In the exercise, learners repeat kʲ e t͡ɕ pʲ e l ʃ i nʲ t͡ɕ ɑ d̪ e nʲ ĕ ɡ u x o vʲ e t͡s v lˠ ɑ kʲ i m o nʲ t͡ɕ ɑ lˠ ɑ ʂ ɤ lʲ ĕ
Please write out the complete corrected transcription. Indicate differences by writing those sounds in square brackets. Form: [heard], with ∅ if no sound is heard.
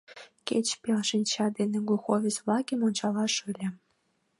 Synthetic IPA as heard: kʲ e t͡ɕ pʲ e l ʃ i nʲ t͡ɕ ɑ d̪ e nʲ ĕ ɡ u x o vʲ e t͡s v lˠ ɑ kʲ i m o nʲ t͡ɕ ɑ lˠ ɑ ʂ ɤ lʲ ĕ